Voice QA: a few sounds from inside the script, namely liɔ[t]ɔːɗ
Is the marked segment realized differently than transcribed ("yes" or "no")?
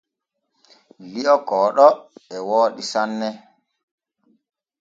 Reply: yes